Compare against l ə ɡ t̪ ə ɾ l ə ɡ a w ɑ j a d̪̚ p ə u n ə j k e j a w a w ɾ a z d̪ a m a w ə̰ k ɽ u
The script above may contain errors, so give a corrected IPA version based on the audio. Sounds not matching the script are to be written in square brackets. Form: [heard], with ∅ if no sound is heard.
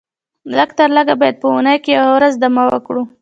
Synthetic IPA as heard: l ə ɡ t̪ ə ɾ l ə ɡ a [b] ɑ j a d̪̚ p ə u n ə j k e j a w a w ɾ a z d̪ a m a w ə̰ k ɽ u